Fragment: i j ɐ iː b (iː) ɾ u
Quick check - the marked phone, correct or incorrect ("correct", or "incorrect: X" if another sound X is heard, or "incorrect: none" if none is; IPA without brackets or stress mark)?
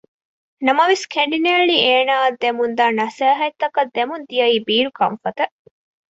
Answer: correct